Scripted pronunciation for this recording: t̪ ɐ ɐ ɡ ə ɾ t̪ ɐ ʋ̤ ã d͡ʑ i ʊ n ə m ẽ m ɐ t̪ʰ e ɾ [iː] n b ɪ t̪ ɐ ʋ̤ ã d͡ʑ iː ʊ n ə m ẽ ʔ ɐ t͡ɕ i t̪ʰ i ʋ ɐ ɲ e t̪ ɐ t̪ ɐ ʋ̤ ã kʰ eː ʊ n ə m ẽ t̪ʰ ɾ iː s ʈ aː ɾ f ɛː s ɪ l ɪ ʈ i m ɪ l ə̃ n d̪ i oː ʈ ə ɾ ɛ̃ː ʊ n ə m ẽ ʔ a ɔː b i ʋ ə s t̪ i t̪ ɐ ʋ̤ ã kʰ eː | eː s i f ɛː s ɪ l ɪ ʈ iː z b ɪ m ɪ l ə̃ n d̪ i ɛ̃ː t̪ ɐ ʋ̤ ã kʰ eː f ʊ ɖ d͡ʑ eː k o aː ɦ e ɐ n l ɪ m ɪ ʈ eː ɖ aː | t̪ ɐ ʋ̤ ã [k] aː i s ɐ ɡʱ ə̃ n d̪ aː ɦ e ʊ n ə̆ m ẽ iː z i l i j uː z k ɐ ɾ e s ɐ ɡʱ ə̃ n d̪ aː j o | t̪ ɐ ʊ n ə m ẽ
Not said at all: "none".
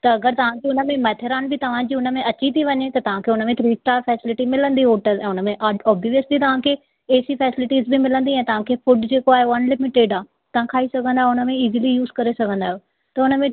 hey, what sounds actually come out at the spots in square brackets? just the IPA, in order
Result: aː, kʰ

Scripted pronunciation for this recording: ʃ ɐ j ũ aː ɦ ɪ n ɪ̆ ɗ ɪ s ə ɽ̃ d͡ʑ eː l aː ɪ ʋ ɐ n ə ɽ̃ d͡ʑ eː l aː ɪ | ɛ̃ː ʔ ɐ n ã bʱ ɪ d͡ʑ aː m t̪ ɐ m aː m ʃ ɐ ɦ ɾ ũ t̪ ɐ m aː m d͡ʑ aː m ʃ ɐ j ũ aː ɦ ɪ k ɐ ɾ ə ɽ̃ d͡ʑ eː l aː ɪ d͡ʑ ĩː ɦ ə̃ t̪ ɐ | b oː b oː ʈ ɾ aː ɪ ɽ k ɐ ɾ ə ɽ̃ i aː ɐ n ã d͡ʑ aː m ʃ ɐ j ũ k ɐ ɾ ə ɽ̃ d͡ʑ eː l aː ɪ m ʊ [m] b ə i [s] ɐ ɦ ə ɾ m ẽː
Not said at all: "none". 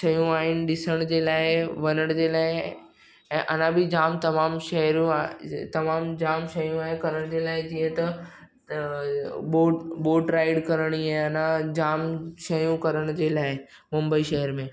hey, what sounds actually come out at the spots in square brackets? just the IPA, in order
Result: m, ʃ

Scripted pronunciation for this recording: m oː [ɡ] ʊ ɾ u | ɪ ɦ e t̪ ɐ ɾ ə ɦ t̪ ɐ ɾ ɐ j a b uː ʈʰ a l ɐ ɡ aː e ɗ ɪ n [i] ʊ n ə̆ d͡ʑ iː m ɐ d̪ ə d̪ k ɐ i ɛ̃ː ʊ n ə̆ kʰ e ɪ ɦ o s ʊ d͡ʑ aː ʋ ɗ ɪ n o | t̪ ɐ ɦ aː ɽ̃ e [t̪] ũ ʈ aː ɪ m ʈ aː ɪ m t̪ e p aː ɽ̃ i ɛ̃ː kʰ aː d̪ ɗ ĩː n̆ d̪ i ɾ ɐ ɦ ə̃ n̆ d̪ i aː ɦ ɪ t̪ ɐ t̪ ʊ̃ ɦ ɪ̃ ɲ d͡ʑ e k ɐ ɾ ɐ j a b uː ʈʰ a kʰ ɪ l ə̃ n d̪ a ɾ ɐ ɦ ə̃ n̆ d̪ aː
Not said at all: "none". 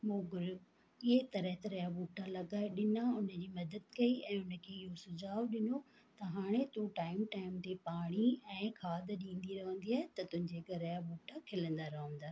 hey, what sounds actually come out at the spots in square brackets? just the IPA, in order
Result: ɡ, a, t̪

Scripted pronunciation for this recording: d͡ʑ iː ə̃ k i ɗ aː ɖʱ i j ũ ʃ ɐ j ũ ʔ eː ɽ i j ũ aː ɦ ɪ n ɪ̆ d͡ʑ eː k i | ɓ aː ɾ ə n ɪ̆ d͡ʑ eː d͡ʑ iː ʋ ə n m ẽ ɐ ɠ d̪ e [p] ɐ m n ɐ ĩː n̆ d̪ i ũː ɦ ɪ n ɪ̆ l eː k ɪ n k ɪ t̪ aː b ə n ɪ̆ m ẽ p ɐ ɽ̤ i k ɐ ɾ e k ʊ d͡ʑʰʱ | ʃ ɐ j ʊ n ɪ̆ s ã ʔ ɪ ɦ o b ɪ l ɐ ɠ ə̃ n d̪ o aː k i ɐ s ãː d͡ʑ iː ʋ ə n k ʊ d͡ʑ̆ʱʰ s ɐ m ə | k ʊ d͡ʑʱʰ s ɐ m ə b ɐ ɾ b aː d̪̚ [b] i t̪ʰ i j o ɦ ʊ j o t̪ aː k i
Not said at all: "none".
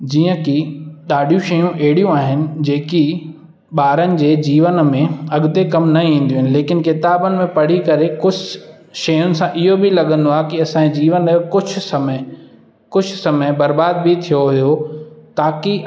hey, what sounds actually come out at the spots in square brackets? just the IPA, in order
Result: k, b

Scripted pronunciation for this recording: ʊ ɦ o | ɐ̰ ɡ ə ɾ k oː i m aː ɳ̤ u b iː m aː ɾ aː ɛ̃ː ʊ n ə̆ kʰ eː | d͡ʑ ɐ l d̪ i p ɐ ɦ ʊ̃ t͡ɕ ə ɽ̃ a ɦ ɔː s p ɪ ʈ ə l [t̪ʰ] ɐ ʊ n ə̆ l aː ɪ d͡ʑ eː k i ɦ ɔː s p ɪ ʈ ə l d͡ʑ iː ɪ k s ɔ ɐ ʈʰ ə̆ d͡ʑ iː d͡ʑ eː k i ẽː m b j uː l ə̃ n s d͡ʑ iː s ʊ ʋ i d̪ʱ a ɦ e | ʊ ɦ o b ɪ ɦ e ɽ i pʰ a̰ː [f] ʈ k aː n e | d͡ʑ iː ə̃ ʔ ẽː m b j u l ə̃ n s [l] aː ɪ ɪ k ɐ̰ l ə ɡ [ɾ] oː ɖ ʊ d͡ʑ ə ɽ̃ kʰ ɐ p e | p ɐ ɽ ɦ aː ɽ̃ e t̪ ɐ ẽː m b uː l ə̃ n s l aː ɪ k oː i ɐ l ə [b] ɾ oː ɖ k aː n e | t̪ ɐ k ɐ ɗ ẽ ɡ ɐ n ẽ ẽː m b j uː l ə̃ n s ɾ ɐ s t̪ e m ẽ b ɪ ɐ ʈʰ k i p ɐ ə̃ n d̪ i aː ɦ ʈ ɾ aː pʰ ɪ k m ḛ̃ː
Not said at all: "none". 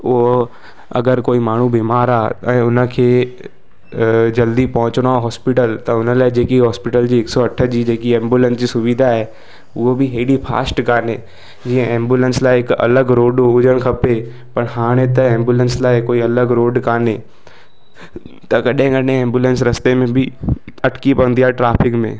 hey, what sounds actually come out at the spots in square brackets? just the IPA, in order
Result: t̪, s, l, ɾ, ɡ

